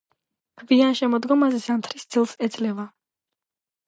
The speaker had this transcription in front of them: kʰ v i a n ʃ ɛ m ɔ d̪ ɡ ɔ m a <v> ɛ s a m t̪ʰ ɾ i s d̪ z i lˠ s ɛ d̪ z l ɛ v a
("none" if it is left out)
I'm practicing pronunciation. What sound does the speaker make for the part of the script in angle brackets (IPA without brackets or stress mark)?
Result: z